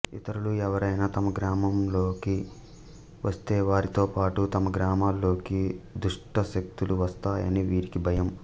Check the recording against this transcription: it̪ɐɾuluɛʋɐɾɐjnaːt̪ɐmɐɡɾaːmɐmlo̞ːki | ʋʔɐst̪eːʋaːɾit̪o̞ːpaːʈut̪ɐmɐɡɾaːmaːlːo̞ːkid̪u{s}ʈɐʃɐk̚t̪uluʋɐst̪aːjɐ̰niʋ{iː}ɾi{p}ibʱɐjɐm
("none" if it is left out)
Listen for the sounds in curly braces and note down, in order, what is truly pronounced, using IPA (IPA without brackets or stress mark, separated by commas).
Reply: ʂ, iː, k